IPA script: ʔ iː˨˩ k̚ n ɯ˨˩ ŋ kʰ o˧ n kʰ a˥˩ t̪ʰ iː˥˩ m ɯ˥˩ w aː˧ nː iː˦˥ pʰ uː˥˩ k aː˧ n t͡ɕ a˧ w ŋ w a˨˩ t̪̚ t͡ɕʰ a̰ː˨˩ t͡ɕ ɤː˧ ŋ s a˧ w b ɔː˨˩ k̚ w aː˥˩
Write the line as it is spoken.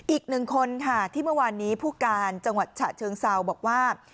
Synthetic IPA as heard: ʔ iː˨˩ k̚ n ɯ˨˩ ŋ kʰ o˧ n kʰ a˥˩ t̪ʰ iː˥˩ m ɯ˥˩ w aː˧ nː iː˦˥ pʰ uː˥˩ k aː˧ n t͡ɕ a˧ ŋ w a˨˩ t̪̚ t͡ɕʰ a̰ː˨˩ t͡ɕʰ ɤː˧ ŋ s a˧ w b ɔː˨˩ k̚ w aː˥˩